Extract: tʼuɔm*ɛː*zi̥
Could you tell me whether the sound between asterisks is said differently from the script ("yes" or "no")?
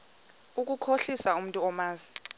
yes